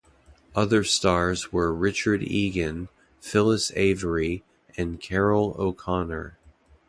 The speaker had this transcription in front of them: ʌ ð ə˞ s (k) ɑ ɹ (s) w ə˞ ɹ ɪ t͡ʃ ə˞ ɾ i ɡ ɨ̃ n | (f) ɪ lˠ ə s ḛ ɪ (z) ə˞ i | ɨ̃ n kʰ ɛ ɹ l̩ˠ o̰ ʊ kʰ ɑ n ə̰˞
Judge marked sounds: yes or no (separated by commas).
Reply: no, no, yes, no